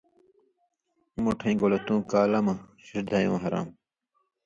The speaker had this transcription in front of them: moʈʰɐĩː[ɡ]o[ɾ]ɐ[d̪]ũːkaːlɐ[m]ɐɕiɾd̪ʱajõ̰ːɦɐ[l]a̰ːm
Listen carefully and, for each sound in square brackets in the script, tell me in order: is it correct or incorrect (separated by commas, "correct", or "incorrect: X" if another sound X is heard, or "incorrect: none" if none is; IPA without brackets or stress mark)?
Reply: correct, incorrect: l, incorrect: t̪, correct, incorrect: ɾ